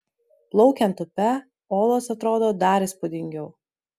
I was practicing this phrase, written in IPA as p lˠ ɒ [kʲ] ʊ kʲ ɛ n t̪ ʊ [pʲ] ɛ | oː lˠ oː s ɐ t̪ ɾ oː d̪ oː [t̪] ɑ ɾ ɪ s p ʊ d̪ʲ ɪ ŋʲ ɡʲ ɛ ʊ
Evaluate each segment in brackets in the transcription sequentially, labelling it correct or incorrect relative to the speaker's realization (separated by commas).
incorrect, correct, incorrect